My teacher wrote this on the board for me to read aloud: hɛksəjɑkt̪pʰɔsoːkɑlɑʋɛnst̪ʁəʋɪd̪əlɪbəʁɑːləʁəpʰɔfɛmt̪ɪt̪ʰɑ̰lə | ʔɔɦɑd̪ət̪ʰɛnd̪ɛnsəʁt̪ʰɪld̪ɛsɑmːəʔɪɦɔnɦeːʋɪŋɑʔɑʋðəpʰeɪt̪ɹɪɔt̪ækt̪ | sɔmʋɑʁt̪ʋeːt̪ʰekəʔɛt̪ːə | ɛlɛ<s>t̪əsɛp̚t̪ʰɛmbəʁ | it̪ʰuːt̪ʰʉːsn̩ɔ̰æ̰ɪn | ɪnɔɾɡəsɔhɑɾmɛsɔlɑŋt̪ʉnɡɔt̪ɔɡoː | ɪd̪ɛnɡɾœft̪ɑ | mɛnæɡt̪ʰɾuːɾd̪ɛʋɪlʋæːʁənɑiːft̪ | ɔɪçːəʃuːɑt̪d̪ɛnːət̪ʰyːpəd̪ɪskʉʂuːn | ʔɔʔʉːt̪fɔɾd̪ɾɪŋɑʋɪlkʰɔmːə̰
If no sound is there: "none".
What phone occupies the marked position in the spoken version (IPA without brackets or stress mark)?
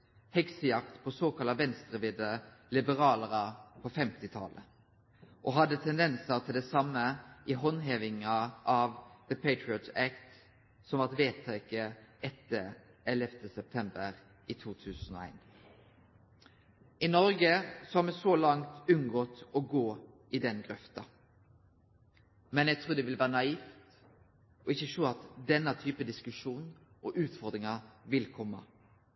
f